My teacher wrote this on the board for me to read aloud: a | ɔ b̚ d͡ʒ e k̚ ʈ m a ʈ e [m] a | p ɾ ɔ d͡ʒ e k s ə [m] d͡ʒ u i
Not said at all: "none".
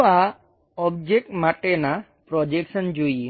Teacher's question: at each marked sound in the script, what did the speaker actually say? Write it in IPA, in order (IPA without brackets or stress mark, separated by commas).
n, n